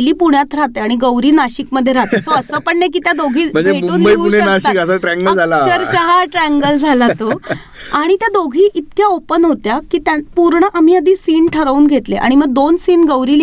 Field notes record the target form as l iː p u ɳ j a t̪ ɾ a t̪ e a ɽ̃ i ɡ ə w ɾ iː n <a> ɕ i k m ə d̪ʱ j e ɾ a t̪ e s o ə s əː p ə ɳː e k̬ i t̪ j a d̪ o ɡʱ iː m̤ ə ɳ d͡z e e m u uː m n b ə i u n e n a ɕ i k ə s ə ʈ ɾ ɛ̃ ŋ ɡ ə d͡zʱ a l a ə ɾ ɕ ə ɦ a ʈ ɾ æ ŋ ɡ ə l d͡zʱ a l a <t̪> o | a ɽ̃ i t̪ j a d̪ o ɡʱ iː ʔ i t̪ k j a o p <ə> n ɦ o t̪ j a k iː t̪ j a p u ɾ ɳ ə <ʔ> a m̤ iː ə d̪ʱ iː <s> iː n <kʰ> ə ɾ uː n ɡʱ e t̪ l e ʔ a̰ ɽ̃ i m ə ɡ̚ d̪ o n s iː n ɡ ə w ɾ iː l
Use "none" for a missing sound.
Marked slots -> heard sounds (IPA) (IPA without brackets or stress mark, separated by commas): a, t̪, ə, ʔ, s, ʈʰ